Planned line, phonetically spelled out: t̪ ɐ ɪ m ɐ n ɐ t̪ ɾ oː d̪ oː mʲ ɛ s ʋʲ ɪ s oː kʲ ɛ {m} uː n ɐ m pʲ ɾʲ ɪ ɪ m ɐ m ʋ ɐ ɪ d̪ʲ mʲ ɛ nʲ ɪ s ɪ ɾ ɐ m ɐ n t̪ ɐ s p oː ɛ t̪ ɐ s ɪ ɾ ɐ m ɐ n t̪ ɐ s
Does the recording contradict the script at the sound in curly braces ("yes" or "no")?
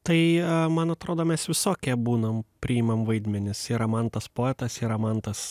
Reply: yes